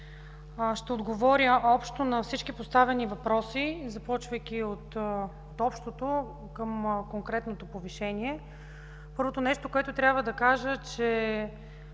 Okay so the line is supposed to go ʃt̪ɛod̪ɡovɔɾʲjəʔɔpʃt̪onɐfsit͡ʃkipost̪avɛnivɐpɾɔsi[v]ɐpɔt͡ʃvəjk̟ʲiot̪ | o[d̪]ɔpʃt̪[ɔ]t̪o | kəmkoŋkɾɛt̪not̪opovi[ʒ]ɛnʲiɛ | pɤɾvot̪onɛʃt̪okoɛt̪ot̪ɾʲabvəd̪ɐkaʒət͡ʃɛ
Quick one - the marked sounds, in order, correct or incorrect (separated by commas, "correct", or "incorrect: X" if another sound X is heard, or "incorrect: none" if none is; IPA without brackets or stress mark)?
incorrect: z, incorrect: t̪, incorrect: o, incorrect: ʃ